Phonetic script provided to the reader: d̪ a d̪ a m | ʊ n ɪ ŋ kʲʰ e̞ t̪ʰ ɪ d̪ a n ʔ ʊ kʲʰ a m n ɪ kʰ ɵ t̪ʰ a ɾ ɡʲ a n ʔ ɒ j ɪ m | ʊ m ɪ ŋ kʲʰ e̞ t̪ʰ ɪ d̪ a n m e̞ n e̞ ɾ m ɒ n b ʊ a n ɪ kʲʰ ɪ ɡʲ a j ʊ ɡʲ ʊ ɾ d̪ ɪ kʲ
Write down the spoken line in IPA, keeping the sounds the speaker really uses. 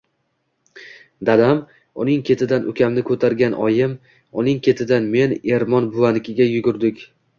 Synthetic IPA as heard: d̪ a d̪ a m | ʊ n ɪ ŋ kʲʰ e̞ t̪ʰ ɪ d̪ a n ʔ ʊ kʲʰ a m n ɪ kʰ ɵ t̪ʰ a ɾ ɡʲ a n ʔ ɒ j ɪ m | ʊ n ɪ ŋ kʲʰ e̞ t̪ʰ ɪ d̪ a n m e̞ n e̞ ɾ m ɒ n b ʊ a n ɪ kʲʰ ɪ ɡʲ a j ʊ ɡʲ ʊ ɾ d̪ ɪ kʲ